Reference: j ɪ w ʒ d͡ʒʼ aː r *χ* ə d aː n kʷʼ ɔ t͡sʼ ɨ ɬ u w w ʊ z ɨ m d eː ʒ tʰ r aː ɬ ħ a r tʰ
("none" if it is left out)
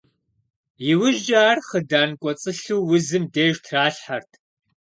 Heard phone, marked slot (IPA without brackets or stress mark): χ